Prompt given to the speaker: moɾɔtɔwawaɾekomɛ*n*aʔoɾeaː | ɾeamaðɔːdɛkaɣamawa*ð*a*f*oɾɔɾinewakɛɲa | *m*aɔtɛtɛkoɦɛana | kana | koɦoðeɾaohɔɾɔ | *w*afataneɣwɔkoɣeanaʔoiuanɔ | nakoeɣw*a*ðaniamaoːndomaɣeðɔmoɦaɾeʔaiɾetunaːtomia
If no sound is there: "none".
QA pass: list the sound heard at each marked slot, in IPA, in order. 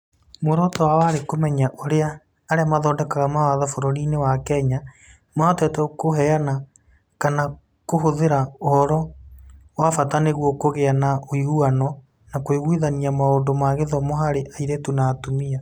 ɲ, ð, f, m, w, i

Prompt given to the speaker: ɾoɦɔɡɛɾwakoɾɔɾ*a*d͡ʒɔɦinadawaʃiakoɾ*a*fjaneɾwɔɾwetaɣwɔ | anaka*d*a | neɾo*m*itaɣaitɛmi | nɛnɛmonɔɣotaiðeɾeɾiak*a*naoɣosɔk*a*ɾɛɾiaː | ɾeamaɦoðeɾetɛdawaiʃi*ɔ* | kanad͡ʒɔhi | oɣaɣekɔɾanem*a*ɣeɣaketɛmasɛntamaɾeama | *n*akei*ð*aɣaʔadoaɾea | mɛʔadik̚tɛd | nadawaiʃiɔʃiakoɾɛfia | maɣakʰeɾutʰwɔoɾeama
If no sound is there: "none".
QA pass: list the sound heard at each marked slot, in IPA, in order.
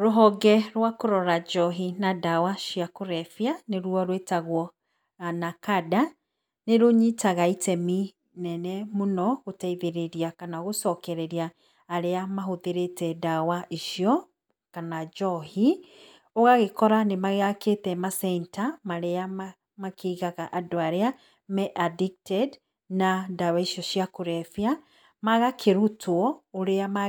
a, ɛ, d, ɲ, a, ɛ, ɔ, a, m, ɣ

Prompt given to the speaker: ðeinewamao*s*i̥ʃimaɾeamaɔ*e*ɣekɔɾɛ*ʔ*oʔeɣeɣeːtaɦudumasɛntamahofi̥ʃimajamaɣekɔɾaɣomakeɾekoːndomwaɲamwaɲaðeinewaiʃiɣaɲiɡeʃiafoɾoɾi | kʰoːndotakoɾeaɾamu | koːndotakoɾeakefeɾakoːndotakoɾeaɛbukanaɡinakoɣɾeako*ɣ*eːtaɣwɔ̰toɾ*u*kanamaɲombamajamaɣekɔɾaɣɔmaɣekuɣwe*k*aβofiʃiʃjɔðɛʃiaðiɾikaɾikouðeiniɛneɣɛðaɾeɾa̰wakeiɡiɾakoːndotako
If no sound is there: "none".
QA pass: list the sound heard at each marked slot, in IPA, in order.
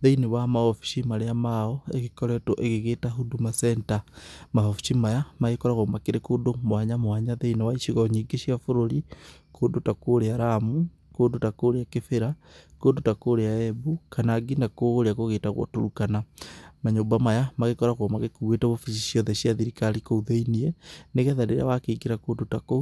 f, e, t, ɣ, u, t

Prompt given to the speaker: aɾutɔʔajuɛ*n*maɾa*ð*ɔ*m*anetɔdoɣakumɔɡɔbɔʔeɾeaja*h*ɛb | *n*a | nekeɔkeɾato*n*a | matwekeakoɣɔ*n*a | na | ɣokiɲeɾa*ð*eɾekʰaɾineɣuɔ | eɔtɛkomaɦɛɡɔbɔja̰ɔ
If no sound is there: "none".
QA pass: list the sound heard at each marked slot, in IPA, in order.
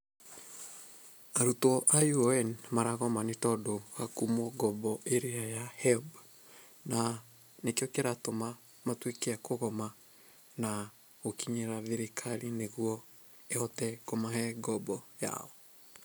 n, ɣ, m, h, n, m, m, ð

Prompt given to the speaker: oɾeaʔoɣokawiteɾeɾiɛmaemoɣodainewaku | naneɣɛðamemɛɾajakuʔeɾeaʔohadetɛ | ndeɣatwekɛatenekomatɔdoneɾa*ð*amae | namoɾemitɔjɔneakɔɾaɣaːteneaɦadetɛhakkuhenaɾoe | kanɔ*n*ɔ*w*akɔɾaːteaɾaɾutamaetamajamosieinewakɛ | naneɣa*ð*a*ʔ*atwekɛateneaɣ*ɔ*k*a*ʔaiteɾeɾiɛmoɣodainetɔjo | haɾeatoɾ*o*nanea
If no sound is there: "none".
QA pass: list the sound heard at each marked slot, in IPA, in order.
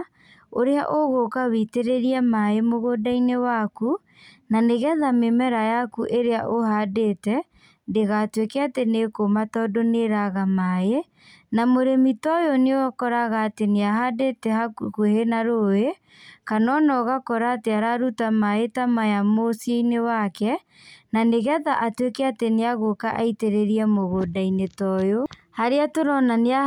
ɣ, n, ɣ, ð, ʔ, o, a, ɔ

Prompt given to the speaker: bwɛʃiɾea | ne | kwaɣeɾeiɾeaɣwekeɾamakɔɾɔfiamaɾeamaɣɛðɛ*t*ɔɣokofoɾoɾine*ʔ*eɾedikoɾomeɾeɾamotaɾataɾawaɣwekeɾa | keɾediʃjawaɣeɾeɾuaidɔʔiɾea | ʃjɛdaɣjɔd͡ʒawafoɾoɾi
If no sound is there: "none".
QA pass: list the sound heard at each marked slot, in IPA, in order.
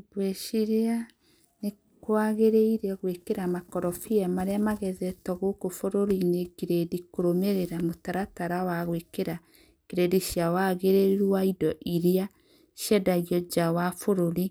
t, k

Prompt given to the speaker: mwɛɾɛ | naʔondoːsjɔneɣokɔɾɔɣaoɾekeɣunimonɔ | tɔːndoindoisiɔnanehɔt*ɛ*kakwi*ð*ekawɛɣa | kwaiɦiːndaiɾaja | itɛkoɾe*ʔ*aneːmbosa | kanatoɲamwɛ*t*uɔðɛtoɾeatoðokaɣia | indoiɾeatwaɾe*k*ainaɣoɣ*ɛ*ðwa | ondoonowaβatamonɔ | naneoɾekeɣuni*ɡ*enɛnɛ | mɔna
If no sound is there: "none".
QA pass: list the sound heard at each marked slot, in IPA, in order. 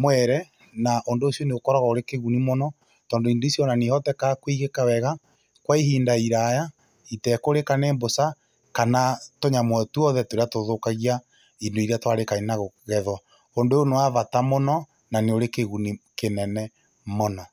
ɛ, ɣ, k, t, k, ɛ, k

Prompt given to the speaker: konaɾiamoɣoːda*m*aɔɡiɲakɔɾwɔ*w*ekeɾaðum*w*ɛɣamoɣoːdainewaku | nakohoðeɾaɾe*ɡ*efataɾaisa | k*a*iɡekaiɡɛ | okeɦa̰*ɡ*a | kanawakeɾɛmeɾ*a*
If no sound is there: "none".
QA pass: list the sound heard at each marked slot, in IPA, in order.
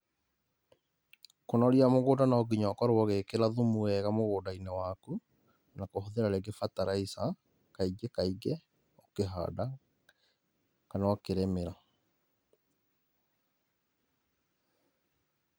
n, ɣ, u, ɡ, a, d, a

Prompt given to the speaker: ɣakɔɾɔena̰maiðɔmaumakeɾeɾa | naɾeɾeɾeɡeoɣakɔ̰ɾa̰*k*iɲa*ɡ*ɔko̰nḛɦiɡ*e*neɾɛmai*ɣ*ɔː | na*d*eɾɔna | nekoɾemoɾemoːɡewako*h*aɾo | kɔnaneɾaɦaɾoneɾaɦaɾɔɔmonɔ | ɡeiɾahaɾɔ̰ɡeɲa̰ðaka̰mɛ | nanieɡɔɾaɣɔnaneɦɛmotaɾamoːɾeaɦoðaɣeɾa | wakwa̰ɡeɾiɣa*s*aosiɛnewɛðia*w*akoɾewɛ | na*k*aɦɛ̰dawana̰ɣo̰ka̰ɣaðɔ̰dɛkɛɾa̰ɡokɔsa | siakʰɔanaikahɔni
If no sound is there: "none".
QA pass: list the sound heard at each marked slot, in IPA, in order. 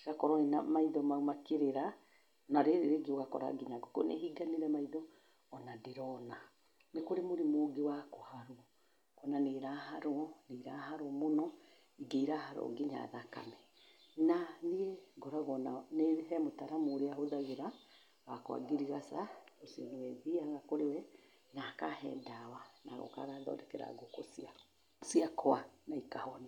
ɡ, ɡ, a, ð, d, h, s, ɣ, k

